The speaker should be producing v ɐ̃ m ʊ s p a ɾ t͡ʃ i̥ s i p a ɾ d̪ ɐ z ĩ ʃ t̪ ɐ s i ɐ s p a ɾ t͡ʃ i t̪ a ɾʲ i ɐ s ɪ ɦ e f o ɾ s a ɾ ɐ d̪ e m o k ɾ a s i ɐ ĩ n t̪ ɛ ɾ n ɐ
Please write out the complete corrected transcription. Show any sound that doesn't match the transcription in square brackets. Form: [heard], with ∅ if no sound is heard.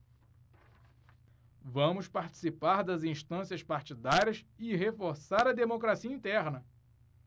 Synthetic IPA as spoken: v ɐ̃ m ʊ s p a ɾ t͡ʃ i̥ s i p a ɾ d̪ ɐ z ĩ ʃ t̪ [ɐ̃] s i ɐ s p a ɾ t͡ʃ i [d̪] a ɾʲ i ɐ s ɪ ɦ e f o ɾ s a ɾ ɐ d̪ e m o k ɾ a s i ɐ ĩ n t̪ ɛ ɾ n ɐ